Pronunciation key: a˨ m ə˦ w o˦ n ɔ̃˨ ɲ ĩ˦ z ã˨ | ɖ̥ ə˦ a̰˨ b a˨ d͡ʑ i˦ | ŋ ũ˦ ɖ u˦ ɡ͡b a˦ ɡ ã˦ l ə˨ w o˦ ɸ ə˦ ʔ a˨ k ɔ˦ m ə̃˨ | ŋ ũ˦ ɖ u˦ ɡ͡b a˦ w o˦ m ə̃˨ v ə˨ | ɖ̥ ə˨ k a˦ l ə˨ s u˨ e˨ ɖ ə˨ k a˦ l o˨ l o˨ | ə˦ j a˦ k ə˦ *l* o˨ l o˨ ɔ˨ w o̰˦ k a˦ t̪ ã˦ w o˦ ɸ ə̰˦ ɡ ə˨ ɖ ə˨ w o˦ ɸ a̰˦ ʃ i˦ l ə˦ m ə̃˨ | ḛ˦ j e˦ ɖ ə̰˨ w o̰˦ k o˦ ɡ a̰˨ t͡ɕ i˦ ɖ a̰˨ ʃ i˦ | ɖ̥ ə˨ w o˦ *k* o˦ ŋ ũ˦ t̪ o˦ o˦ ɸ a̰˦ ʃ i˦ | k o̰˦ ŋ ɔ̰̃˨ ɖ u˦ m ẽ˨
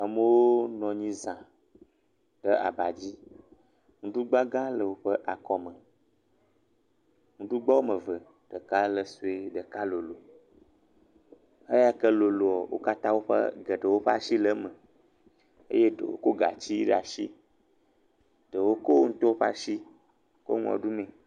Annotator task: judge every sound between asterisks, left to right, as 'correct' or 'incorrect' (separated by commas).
correct, correct